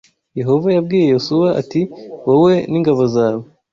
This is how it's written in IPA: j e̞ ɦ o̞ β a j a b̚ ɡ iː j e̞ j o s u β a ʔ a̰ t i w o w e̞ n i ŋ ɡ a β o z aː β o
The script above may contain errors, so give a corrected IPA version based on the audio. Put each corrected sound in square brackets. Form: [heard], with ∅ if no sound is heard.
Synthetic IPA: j e̞ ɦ o̞ [v] a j a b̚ ɡ iː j e̞ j o s u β a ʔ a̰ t i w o w e̞ n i ŋ ɡ a β o z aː β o